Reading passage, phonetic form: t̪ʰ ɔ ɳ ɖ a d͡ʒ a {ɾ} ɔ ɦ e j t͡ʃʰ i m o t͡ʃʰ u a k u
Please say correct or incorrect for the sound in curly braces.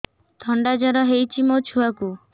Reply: correct